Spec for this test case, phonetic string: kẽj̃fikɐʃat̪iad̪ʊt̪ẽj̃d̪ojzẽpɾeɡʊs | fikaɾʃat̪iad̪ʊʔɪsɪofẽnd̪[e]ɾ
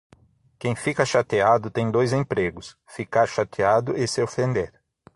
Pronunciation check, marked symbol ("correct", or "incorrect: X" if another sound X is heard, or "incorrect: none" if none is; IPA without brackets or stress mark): correct